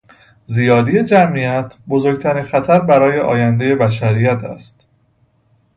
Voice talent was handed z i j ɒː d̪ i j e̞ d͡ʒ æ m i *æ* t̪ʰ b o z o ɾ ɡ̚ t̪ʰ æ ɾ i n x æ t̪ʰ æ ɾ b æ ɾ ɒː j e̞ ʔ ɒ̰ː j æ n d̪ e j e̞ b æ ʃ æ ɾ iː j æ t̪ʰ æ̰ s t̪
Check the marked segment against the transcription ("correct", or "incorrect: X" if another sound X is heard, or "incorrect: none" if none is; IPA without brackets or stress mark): correct